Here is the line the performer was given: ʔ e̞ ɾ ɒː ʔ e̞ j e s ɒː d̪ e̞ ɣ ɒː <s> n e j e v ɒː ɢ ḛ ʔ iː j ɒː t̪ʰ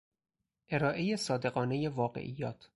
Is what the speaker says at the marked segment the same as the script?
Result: no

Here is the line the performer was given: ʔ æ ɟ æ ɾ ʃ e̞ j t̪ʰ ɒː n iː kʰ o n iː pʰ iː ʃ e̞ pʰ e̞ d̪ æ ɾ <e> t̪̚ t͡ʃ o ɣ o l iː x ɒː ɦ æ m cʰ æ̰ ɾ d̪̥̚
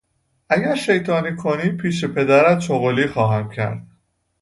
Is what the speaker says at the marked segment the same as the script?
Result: no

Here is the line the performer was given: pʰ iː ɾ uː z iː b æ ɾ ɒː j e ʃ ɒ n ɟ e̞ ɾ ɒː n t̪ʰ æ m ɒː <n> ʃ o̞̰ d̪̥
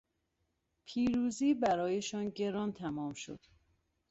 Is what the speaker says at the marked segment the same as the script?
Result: no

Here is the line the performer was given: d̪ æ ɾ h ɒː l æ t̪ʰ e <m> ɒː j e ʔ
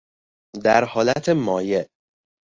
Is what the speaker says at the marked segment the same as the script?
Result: yes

